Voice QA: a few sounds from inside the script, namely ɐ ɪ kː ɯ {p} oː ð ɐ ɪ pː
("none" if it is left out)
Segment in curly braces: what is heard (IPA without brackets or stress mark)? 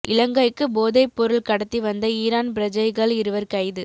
b